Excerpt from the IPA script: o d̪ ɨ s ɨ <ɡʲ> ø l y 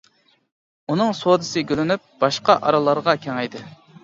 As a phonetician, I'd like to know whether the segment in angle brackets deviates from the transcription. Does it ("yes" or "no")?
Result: no